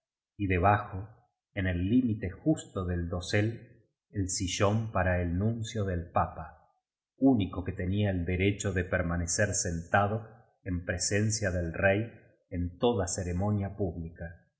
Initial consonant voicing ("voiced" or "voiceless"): voiced